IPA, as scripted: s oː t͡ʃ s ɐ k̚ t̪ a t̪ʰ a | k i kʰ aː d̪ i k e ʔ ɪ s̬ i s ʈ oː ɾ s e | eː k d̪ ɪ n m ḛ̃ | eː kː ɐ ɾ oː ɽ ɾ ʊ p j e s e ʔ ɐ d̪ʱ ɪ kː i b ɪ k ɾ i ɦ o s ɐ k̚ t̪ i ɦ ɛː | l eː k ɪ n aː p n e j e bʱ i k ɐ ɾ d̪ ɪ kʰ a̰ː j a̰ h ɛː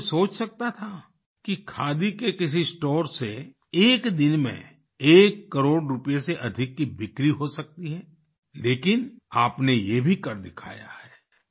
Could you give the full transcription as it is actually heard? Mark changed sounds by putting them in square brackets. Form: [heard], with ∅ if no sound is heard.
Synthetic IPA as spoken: s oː t͡ʃ s ɐ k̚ t̪ a t̪ʰ a | k i kʰ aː d̪ i k e [k] ɪ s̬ i s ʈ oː ɾ s e | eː k d̪ ɪ n m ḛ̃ | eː kː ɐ ɾ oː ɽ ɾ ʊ p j e s e ʔ ɐ d̪ʱ ɪ kː i b ɪ k ɾ i ɦ o s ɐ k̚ t̪ i ɦ ɛː | l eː k ɪ n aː p n e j e bʱ i k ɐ ɾ d̪ ɪ kʰ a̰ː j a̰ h ɛː